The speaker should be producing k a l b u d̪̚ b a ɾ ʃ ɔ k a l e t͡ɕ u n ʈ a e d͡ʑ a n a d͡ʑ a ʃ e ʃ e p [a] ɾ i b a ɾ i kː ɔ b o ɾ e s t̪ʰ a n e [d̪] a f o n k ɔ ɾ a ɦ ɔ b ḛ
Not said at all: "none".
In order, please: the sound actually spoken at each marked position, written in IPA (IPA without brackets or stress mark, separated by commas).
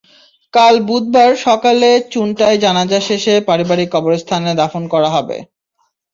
a, d̪